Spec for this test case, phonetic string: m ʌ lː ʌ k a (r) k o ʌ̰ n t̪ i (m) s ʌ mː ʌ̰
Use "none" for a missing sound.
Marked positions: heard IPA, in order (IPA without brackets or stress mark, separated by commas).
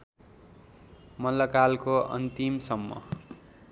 l, m